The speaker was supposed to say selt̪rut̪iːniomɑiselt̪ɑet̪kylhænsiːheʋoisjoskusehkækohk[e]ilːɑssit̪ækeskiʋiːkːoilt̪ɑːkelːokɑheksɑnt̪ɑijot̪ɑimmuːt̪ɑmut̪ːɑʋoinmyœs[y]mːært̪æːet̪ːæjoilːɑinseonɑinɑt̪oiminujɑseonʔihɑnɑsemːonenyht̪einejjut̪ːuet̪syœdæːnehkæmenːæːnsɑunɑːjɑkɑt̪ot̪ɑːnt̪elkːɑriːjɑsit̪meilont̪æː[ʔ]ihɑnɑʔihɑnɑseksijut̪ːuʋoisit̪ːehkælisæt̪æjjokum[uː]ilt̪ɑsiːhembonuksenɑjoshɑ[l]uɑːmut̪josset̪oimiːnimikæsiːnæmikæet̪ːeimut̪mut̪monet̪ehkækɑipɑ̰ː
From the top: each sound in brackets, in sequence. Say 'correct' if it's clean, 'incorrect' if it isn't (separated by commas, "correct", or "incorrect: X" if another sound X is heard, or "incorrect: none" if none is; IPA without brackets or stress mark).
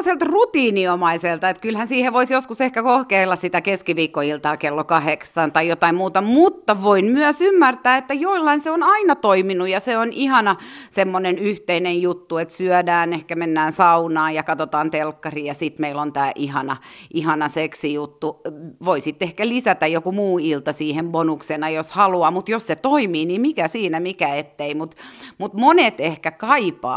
correct, correct, correct, correct, correct